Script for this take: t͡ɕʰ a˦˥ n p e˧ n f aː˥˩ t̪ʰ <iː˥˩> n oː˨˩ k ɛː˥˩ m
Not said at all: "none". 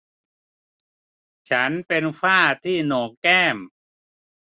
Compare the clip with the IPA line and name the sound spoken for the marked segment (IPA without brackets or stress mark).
iː˥˩